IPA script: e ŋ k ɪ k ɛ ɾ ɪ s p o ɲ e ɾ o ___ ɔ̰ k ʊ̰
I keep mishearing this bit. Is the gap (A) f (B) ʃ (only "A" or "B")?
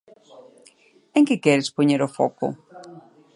A